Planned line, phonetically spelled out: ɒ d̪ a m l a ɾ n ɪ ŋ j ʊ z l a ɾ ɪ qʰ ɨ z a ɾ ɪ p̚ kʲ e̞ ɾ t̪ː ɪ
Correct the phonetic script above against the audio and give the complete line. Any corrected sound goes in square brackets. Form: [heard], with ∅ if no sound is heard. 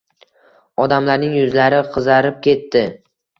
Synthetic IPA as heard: ɒ d̪ a m l a ɾ n ɪ ŋ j ʊ z l a ɾ ɪ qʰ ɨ z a ɾ ɪ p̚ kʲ e̞ [∅] t̪ː ɪ